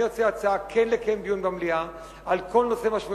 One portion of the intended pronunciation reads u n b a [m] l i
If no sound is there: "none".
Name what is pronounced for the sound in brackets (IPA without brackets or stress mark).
m